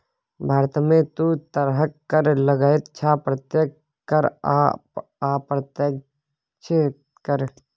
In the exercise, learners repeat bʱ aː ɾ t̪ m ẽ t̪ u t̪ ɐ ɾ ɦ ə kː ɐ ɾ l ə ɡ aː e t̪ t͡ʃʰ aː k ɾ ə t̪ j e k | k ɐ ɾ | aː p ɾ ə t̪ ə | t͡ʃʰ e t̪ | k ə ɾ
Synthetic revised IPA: bʱ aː ɾ t̪ m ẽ t̪ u t̪ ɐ ɾ ɦ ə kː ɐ ɾ l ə ɡ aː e t̪ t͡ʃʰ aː p ɾ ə t̪ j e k | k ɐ ɾ | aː p ɾ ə t̪ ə | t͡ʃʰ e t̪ | k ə ɾ